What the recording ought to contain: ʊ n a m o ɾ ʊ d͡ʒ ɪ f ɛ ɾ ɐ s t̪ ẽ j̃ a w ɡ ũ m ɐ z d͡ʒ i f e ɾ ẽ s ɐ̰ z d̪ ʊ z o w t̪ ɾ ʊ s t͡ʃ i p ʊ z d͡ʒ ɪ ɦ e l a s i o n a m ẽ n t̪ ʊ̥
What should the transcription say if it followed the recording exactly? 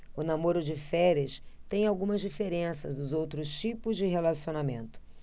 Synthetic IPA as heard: ʊ n a m o ɾ ʊ d͡ʒ ɪ f ɛ ɾ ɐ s t̪ ẽ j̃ a w ɡ ũ m ɐ z d͡ʒ i f e ɾ ẽ s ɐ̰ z d̪ ʊ z o w t̪ ɾ ʊ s t͡ʃ i p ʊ z d͡ʒ ɪ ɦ e l a s i o n a m ẽ n t̪ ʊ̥